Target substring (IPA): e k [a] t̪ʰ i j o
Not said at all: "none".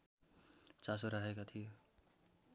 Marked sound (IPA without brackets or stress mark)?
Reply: a